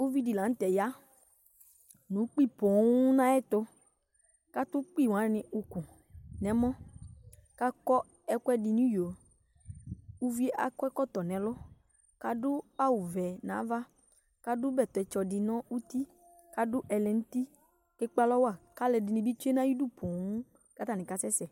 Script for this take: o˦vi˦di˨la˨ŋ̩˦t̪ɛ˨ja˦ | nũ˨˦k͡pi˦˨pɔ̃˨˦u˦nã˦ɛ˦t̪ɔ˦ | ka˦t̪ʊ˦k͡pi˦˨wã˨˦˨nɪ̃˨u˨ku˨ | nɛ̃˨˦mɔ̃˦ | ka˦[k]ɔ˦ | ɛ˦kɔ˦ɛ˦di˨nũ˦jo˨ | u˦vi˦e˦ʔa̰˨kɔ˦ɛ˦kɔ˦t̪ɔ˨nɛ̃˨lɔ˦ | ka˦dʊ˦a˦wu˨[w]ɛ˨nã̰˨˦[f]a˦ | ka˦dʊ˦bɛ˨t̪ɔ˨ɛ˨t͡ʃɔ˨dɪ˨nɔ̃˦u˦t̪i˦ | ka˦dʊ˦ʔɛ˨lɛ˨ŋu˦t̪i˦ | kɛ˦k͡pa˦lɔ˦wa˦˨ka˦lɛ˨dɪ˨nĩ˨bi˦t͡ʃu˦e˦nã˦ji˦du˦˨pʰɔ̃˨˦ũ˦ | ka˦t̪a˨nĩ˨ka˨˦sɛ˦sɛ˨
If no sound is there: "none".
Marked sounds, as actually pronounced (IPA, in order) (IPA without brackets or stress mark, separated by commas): k, v, v